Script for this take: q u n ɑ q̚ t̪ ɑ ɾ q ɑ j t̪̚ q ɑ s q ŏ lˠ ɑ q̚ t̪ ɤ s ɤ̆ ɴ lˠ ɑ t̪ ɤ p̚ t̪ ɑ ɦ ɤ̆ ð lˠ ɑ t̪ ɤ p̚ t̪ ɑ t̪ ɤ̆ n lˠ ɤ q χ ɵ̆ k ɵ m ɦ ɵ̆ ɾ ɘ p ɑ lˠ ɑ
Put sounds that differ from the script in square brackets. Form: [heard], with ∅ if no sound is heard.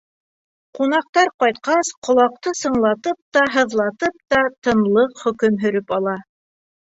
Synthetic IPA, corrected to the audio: q u n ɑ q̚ t̪ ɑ ɾ q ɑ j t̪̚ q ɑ s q ŏ lˠ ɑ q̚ t̪ ɤ s ɤ̆ ɴ lˠ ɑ t̪ ɤ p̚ t̪ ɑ ɦ ɤ̆ ð lˠ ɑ t̪ ɤ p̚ t̪ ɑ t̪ ɤ̆ n lˠ ɤ q χ ɵ̆ k ɵ m ɦ ɵ̆ ɾ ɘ p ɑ lˠ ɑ